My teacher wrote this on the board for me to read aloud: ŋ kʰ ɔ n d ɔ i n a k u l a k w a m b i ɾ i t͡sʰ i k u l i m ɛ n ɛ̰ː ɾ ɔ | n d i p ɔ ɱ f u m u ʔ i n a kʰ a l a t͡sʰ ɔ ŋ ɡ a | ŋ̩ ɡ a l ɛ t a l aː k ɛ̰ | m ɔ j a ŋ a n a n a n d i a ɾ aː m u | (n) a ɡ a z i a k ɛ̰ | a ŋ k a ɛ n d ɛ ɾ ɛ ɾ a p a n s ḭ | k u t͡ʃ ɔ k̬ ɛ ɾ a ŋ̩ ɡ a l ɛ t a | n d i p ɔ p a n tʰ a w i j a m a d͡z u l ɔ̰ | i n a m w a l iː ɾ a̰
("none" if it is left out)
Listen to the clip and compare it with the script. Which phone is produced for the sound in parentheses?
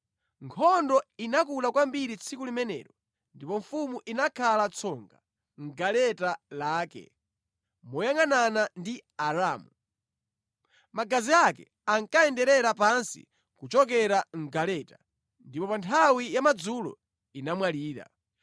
m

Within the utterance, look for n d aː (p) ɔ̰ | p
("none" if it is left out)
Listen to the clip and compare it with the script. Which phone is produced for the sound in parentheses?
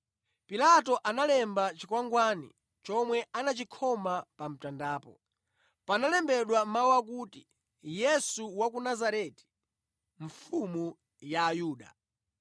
p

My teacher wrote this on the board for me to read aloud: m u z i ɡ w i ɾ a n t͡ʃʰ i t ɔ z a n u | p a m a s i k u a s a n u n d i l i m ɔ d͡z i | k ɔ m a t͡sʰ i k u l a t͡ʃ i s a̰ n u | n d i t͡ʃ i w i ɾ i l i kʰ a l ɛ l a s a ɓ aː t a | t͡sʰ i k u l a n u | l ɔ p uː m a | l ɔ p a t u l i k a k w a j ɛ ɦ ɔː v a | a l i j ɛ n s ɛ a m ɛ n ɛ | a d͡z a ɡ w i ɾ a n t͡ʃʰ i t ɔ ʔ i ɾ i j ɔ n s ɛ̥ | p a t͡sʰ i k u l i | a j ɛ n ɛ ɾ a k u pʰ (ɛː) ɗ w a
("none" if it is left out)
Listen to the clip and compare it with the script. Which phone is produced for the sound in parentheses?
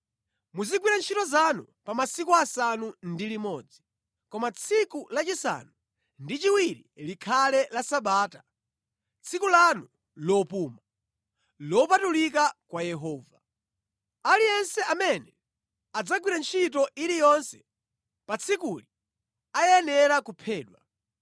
ɛː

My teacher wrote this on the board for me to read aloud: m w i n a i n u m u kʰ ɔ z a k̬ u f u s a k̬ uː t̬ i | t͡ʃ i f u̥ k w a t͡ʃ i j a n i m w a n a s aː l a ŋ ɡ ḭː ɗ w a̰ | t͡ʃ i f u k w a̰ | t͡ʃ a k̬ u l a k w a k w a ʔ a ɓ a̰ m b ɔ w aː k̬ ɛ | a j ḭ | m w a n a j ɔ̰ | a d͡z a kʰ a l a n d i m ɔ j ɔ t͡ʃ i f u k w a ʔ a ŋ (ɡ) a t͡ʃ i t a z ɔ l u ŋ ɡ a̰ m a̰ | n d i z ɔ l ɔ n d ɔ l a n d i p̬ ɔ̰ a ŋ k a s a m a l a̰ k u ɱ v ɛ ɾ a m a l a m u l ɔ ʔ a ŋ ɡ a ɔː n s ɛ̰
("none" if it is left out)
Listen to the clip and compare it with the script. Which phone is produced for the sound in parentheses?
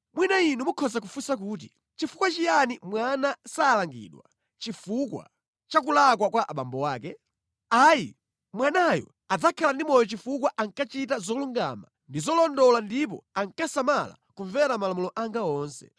k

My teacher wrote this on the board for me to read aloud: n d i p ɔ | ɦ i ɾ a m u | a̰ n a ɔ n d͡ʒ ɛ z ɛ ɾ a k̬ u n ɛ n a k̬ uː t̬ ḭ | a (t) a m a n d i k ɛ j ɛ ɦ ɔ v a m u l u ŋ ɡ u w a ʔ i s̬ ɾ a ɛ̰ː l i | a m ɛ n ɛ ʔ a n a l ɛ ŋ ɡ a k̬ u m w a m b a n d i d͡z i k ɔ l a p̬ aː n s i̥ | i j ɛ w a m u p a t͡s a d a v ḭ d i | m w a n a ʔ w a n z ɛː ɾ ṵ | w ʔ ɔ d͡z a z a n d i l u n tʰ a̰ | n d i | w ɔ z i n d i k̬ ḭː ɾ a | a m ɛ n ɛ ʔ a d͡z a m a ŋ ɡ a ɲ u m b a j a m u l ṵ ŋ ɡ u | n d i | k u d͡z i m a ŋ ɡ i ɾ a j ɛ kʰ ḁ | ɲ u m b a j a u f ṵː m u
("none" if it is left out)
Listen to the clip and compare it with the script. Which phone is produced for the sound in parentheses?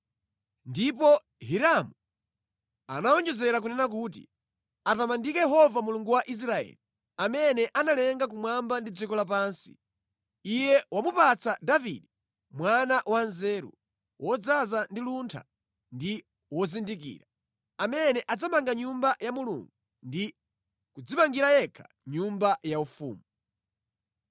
t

